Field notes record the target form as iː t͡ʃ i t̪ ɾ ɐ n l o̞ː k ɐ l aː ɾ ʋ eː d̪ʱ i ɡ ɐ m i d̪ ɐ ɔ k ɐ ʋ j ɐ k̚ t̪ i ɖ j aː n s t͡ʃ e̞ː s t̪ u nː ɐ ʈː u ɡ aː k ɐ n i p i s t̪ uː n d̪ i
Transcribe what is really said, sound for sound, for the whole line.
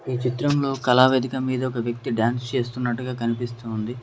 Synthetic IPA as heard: iː t͡ʃ i t̪ ɾ ɐ m l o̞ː k ɐ l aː ʋ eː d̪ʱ i k ɐ m iː d̪ ɐ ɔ k ɐ ʋ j ɐ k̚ t̪ i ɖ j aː n s t͡ʃ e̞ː s t̪ u nː ɐ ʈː u ɡ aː k ɐ n i p i s t̪ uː n d̪ i